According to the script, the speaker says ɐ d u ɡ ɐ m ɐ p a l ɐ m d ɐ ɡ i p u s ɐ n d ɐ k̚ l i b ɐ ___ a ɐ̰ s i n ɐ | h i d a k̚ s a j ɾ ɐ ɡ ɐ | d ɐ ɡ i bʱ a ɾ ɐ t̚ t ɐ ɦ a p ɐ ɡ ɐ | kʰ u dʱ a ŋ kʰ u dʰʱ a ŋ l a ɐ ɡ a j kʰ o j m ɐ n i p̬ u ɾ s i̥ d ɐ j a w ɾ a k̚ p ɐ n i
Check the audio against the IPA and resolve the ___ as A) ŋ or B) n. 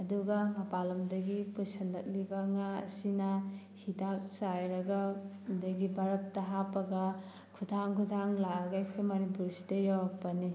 A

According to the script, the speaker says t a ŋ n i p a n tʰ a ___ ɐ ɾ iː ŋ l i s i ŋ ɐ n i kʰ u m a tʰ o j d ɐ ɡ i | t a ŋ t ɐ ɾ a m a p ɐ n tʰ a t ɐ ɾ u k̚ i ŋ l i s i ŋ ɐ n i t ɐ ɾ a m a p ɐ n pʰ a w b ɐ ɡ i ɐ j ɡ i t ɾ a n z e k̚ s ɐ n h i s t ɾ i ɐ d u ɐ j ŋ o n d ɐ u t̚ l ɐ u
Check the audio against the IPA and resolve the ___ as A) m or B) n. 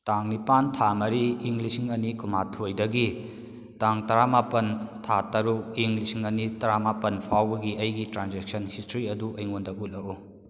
A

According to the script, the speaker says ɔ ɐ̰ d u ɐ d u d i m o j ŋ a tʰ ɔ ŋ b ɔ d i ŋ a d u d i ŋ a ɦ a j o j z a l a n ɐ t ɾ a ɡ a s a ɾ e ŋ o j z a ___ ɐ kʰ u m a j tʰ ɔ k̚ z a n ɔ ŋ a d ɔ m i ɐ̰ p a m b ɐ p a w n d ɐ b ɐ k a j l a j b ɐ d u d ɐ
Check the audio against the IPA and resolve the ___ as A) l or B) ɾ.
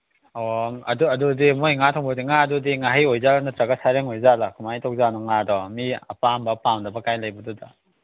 A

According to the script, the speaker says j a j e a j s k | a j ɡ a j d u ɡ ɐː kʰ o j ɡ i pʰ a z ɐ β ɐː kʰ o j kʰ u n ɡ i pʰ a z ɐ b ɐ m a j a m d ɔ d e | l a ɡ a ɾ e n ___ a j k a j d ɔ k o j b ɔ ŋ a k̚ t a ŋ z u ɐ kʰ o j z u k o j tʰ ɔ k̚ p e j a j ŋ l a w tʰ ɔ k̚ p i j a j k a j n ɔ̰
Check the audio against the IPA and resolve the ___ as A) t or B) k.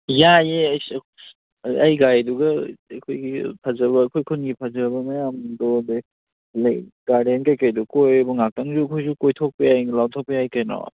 B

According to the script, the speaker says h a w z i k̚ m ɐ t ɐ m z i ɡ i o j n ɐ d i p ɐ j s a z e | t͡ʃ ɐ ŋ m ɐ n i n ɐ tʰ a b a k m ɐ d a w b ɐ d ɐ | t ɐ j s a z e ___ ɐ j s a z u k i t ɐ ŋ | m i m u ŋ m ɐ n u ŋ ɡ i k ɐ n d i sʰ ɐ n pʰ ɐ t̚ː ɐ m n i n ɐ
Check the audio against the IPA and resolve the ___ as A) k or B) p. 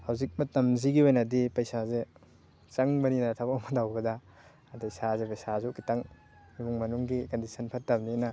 B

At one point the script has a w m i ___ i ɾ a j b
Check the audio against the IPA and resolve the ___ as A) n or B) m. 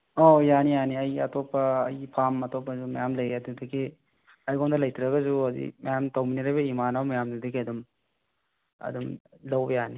A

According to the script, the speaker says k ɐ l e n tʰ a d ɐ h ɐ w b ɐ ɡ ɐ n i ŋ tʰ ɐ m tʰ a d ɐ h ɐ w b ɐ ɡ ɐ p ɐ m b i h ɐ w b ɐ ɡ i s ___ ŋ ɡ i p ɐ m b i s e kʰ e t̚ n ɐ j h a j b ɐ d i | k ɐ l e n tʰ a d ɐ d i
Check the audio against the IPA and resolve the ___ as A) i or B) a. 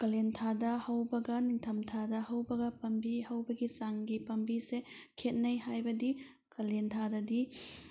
B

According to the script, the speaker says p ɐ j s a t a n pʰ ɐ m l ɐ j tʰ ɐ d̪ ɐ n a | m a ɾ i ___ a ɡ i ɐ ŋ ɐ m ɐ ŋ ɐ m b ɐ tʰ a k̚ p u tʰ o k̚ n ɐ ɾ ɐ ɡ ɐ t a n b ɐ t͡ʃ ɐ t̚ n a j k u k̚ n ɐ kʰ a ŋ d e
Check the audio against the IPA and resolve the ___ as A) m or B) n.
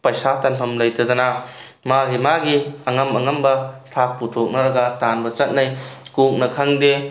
A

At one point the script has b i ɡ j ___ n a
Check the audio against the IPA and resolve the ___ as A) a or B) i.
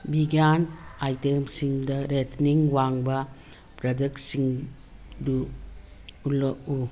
A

